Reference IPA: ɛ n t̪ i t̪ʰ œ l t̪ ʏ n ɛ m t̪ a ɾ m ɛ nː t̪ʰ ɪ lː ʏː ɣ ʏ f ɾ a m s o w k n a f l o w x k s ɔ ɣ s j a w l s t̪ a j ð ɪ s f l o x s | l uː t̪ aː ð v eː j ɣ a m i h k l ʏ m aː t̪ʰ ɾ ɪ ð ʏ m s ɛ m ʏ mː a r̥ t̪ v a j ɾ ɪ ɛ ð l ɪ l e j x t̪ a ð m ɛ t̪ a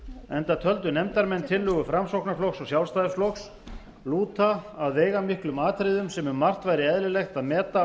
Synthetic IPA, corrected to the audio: ɛ n t̪ a t̪ʰ œ l t̪ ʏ n ɛ m t̪ a ɾ m ɛ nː t̪ʰ ɪ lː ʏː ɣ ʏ f ɾ a m s o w k n a f l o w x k s ɔ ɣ s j a w l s t̪ a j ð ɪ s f l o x s | l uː t̪ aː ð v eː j ɣ a m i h k l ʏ m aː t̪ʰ ɾ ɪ ð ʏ m s ɛ m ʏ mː a r̥ t̪ v a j ɾ ɪ ɛ ð l ɪ l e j x t̪ a ð m ɛː t̪ a